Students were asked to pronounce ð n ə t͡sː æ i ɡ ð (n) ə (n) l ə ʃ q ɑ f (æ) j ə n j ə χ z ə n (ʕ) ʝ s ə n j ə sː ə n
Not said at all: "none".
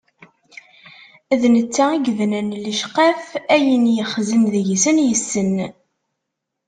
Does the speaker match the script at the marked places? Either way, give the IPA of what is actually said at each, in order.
n, n, æ, ð

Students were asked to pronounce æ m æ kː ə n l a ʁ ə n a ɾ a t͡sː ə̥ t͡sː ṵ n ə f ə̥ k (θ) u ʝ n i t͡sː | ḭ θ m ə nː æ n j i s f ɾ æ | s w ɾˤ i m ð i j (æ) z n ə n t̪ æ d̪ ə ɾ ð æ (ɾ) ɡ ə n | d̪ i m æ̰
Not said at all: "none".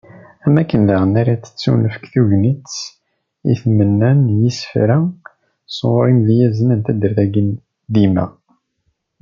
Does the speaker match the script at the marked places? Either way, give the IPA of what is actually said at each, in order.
θ, æ, none

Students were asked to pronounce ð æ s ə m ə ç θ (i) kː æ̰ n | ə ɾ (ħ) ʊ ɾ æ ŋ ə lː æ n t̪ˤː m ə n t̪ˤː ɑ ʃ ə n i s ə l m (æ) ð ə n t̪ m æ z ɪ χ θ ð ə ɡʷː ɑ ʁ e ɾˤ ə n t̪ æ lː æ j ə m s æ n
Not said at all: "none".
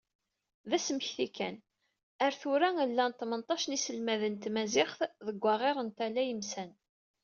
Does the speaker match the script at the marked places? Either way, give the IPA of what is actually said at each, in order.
i, θ, æ

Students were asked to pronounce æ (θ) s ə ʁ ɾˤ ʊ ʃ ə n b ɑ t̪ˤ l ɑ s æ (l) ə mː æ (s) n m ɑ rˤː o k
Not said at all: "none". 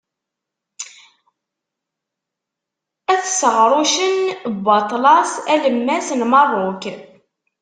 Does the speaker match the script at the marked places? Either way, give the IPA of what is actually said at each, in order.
θ, l, s

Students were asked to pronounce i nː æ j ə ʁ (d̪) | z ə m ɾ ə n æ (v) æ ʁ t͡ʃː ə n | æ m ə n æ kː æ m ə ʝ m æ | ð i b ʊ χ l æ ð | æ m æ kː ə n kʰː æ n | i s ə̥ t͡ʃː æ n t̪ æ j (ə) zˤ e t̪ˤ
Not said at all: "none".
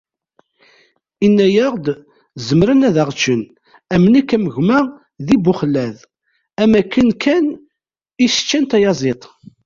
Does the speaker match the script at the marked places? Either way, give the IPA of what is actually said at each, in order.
d̪, ð, ɑ

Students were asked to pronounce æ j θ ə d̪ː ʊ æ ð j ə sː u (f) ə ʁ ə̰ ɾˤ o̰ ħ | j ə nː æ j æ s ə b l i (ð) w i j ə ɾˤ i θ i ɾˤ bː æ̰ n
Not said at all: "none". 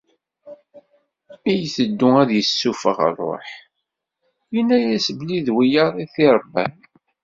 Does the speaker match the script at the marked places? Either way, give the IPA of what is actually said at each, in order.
f, ð

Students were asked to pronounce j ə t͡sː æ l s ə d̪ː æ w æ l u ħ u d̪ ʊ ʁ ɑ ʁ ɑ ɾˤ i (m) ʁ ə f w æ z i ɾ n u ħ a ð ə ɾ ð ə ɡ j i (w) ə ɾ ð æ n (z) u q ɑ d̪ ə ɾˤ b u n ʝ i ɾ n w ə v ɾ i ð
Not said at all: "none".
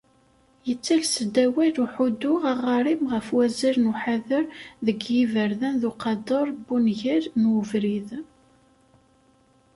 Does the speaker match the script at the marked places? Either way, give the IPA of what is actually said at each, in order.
m, v, ð

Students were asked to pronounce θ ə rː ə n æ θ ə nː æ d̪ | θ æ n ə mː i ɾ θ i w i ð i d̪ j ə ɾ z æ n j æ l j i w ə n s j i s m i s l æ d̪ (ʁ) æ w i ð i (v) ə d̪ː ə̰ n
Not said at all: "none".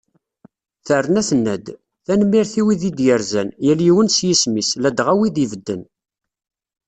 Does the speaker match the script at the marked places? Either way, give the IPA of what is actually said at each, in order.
ʁ, v

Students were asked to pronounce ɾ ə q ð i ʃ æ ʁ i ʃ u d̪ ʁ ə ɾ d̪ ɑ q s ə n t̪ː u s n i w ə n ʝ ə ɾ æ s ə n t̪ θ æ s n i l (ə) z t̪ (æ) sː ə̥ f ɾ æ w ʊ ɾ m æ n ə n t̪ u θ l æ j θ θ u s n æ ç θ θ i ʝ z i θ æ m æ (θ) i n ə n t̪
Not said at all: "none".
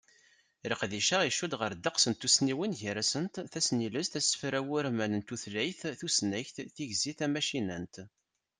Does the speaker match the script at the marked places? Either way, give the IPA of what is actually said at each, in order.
ə, æ, ʃ

